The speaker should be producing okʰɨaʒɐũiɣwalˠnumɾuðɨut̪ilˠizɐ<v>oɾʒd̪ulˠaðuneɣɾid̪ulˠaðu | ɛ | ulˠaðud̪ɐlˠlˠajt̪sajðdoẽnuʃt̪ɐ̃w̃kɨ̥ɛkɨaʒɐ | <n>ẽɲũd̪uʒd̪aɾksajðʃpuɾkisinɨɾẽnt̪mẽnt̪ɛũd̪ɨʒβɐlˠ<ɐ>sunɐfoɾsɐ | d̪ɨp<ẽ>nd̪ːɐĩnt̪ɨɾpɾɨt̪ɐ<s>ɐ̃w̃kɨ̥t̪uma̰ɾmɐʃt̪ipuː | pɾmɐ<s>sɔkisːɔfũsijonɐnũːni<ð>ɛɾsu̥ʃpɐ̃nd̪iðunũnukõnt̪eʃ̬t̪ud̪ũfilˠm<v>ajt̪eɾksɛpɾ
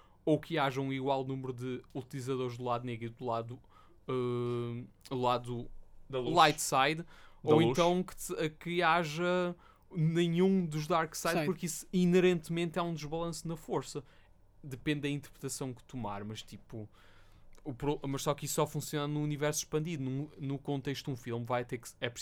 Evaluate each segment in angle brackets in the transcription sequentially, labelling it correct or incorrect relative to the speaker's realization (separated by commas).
incorrect, correct, incorrect, correct, correct, incorrect, incorrect, correct